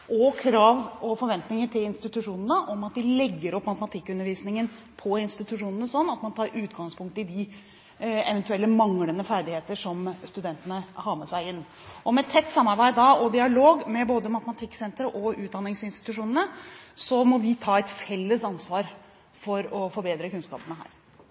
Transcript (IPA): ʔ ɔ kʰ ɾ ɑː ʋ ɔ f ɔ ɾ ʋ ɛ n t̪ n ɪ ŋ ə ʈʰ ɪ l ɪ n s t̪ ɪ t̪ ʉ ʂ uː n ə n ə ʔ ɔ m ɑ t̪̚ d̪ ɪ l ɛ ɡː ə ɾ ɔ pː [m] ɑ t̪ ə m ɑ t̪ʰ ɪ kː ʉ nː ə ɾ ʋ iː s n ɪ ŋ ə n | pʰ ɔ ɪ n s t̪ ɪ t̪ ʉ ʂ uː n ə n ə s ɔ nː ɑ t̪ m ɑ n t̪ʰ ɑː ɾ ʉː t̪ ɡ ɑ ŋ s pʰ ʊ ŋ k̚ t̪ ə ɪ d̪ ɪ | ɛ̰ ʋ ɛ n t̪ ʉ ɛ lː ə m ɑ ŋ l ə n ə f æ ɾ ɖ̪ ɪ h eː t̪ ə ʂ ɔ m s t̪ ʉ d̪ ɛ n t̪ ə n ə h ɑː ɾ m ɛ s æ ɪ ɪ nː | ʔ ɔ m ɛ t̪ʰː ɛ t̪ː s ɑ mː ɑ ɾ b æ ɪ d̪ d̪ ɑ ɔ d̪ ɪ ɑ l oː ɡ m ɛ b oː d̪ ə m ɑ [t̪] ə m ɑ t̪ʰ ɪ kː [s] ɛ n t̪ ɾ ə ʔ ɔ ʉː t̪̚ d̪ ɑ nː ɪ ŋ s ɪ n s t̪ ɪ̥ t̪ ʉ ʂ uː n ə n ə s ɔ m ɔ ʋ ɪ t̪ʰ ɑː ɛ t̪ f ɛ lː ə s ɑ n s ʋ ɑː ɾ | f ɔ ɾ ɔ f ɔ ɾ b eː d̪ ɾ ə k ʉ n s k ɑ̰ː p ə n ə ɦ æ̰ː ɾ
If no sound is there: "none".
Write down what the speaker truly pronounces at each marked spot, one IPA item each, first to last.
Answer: m, t̪, s

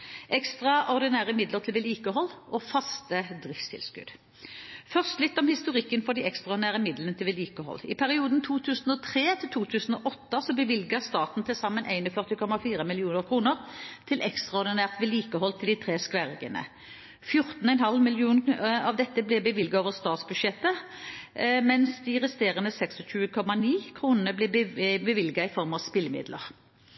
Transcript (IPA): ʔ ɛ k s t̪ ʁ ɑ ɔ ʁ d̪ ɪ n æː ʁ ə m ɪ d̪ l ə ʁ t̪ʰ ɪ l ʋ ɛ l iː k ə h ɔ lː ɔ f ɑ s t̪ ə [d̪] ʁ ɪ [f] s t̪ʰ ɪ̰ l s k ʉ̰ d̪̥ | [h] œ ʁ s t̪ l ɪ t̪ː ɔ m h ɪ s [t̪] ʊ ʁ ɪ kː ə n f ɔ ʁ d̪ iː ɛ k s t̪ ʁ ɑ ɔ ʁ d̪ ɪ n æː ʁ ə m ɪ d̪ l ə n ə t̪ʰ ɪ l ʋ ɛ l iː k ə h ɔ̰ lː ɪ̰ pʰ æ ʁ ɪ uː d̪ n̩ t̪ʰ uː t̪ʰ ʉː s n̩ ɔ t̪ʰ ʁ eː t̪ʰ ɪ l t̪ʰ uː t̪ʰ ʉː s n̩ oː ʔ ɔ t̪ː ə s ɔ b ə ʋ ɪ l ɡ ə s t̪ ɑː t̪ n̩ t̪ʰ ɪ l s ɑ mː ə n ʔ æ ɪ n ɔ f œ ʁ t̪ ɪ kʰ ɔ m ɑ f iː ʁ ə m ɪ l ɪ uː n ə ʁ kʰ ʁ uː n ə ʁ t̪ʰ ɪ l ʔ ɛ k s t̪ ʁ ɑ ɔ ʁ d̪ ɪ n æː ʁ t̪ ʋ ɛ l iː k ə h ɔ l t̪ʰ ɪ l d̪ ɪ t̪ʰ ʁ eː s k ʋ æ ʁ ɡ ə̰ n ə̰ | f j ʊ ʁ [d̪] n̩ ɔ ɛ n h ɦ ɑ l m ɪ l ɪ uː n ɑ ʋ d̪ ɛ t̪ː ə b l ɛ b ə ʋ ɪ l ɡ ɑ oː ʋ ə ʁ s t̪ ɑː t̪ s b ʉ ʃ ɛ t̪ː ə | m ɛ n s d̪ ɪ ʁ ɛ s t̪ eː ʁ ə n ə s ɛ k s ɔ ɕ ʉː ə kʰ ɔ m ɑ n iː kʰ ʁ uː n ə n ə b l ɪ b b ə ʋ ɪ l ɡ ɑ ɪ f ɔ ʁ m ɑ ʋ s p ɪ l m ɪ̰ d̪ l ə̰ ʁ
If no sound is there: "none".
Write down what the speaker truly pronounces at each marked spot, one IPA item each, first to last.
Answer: d̪, f, f, t̪, t̪

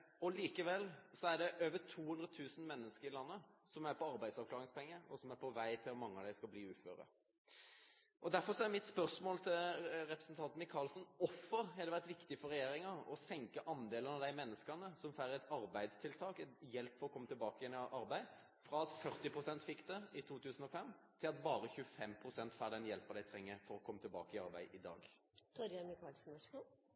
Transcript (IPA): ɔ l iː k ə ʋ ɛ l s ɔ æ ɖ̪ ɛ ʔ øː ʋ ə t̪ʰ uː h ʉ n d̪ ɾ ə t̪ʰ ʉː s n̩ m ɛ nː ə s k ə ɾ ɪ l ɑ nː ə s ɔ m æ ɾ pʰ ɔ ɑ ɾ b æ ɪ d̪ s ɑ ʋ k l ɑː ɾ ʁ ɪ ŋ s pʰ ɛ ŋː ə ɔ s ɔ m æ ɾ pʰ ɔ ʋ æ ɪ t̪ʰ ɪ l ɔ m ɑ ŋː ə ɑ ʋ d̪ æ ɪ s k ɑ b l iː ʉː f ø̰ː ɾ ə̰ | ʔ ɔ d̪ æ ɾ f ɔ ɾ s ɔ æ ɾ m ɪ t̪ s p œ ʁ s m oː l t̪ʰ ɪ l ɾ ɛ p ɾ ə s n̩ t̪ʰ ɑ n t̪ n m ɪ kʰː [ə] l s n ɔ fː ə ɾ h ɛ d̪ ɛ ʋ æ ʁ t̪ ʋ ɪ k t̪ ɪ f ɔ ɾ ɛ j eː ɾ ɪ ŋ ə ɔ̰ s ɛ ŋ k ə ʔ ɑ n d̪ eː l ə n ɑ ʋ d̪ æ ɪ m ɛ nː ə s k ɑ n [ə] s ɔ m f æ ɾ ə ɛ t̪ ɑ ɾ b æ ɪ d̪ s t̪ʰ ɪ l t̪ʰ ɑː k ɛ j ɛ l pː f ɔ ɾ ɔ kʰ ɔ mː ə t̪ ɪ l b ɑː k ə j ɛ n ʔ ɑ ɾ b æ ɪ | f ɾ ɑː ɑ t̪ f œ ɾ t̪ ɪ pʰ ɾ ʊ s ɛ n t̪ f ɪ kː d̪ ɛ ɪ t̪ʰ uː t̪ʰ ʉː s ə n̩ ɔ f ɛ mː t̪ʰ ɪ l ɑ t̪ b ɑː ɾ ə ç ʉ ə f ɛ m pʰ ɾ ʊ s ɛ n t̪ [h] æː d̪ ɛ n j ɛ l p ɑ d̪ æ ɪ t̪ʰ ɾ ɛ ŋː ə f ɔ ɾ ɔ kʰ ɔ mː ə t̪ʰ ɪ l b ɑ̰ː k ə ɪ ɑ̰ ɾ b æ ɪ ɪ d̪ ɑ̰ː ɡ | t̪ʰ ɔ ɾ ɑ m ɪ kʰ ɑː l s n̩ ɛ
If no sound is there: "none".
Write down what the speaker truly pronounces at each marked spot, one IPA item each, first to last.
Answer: ɑ, ə, f

